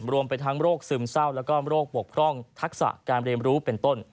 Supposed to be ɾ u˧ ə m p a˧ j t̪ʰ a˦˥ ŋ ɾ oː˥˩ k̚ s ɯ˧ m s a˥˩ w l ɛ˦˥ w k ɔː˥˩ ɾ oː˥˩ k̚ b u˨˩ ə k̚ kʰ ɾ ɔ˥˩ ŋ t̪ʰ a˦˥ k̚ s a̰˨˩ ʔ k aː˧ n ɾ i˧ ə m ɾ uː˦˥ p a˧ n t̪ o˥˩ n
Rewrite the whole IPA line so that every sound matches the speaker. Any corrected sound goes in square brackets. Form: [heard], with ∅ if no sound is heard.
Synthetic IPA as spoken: ɾ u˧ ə m p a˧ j t̪ʰ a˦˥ ŋ ɾ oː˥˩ k̚ s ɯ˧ m s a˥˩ w l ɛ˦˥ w k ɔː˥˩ ɾ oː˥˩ k̚ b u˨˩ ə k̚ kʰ ɾ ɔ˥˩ ŋ t̪ʰ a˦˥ k̚ s a̰˨˩ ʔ k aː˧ n ɾ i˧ ə m ɾ uː˦˥ p [e˧] n t̪ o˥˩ n

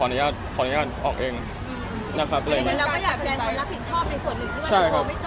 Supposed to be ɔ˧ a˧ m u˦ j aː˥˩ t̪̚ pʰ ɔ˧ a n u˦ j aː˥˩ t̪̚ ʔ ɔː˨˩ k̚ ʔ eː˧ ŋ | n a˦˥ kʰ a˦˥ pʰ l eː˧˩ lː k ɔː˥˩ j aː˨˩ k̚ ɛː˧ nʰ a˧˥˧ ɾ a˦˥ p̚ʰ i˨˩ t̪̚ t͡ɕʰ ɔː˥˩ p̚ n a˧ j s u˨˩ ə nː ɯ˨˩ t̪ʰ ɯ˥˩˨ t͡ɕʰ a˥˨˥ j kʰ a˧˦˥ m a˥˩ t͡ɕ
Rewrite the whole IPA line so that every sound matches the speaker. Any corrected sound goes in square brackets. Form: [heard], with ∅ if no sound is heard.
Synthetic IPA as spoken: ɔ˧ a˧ [n] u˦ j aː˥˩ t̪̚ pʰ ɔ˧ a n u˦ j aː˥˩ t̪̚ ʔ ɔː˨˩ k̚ ʔ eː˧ ŋ | n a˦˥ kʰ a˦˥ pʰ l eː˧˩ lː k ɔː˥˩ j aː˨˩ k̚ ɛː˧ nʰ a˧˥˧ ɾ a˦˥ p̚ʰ i˨˩ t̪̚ t͡ɕʰ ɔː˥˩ p̚ n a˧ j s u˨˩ ə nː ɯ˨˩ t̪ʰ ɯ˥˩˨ t͡ɕʰ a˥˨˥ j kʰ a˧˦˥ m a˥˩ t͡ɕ

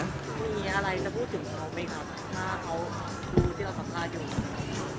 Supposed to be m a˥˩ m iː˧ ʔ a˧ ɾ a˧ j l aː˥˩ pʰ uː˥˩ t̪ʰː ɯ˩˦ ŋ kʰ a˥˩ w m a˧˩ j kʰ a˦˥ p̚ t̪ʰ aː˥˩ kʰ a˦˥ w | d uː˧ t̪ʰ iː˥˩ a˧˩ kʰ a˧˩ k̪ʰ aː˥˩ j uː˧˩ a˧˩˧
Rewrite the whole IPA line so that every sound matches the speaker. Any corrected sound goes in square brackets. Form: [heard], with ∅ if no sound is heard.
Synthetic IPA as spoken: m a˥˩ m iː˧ ʔ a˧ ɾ a˧ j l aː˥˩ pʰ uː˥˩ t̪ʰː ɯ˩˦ ŋ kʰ [a˦˥] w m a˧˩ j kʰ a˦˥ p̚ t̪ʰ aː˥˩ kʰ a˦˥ w | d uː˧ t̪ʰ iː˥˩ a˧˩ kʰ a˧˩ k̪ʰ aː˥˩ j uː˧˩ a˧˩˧

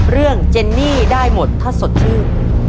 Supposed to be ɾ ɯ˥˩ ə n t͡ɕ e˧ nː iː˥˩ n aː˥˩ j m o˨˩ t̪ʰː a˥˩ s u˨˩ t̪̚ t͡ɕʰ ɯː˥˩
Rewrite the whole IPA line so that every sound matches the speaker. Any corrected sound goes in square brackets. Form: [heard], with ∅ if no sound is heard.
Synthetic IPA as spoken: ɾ ɯ˥˩ ə [ŋ] t͡ɕ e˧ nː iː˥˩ [d] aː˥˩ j m o˨˩ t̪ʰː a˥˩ s [o˨˩] t̪̚ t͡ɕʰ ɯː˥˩

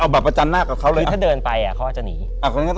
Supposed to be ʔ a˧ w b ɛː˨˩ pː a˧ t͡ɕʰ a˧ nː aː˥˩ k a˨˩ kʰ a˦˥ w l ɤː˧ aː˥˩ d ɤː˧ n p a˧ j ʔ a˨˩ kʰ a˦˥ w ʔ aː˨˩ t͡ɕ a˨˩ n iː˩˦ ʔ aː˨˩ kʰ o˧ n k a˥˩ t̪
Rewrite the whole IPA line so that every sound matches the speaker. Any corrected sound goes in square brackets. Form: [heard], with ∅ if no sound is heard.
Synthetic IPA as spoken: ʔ a˧ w b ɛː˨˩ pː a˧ [t͡ɕ] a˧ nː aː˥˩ k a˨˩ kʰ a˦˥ w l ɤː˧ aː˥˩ d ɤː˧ n p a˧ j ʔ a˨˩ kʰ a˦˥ w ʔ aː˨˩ t͡ɕ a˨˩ n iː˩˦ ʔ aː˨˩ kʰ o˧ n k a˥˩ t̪

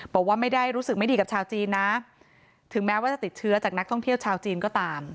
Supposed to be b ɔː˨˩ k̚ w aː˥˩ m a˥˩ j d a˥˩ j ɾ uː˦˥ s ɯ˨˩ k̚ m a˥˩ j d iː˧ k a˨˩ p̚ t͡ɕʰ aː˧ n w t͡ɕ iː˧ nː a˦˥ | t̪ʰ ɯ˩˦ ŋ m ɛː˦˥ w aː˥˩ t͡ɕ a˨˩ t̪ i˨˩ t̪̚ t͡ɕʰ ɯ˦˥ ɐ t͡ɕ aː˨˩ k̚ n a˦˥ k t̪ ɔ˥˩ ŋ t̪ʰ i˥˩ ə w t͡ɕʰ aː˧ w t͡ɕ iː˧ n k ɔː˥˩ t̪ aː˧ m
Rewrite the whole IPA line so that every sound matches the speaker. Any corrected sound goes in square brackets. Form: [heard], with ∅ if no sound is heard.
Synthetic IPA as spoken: b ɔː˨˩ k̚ w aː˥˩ m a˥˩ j d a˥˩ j ɾ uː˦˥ s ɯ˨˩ k̚ m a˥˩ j d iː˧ k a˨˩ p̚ t͡ɕʰ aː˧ [∅] w t͡ɕ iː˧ nː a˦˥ | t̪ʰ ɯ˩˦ ŋ m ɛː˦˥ w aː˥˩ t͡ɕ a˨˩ t̪ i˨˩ t̪̚ t͡ɕʰ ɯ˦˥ ɐ t͡ɕ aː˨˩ k̚ n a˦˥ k [t̪ʰ] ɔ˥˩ ŋ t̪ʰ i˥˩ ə w t͡ɕʰ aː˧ w t͡ɕ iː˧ n k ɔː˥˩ t̪ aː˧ m

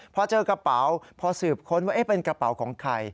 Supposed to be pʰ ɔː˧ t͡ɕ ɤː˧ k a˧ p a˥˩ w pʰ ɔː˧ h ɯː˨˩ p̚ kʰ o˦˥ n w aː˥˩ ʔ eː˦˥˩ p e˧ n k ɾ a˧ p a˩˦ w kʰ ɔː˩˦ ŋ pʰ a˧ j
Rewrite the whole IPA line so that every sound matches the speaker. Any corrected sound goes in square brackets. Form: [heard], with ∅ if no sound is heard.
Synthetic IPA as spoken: pʰ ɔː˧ t͡ɕ ɤː˧ k a˧ p [a˩˦] w pʰ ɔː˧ [s] ɯː˨˩ p̚ kʰ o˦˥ n w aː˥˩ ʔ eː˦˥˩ p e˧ n k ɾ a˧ p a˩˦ w kʰ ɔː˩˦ ŋ [kʰ] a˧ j

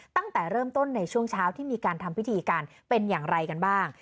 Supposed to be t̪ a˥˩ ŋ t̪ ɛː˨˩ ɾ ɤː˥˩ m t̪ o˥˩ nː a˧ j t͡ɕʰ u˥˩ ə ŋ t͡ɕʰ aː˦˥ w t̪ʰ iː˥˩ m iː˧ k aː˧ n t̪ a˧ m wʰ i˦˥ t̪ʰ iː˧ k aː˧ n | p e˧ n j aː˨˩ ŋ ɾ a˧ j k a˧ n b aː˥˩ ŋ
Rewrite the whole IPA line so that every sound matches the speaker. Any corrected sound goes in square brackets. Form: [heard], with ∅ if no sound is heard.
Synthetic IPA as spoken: t̪ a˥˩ ŋ t̪ ɛː˨˩ ɾ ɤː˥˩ m t̪ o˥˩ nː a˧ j t͡ɕʰ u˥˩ ə ŋ t͡ɕʰ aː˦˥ w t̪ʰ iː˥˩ m iː˧ k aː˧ n [t̪ʰ] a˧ m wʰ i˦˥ t̪ʰ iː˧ k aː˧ n | p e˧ n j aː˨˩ ŋ ɾ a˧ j k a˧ n b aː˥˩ ŋ

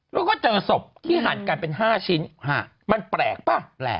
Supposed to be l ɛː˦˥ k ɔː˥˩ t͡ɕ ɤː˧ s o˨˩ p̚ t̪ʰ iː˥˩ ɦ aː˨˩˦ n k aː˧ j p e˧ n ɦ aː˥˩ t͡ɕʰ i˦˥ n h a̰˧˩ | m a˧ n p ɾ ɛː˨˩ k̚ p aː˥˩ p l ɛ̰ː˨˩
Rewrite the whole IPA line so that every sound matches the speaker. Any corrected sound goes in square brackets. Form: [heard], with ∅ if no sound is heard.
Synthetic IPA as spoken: l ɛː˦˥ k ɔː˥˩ t͡ɕ ɤː˧ s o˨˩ p̚ t̪ʰ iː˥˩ ɦ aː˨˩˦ n k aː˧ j p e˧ n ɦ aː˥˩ t͡ɕʰ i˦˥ n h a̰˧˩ | m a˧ n p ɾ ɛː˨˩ k̚ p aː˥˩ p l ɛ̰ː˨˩

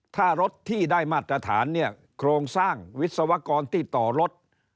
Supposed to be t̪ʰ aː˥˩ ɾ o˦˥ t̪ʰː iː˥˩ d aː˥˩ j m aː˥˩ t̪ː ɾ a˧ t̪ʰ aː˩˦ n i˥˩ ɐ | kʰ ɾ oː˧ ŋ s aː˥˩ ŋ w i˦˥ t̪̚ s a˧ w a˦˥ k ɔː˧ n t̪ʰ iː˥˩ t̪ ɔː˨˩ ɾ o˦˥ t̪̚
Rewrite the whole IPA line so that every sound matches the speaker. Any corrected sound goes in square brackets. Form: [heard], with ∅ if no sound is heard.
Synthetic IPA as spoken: t̪ʰ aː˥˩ ɾ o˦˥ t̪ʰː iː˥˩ d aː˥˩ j m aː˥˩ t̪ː ɾ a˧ t̪ʰ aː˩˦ [nː] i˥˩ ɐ | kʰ ɾ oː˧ ŋ s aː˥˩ ŋ w i˦˥ t̪̚ s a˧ w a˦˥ k ɔː˧ n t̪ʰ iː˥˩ t̪ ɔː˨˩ ɾ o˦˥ t̪̚

